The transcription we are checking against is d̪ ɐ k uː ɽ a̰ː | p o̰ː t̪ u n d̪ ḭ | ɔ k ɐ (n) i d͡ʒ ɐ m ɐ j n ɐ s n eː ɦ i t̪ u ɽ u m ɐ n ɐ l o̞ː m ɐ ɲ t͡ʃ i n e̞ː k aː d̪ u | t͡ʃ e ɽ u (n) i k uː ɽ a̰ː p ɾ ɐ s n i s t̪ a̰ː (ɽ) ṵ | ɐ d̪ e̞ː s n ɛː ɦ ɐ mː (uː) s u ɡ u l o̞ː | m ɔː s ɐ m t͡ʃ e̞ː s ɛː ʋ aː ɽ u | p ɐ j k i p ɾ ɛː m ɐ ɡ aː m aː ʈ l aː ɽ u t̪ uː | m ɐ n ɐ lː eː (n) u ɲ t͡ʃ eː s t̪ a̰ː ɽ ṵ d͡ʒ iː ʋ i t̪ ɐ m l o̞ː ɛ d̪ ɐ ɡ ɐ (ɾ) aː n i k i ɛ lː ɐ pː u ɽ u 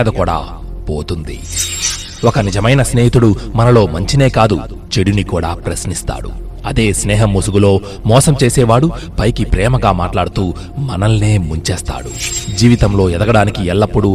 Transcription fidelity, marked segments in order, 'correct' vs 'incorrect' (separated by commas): correct, correct, correct, incorrect, incorrect, incorrect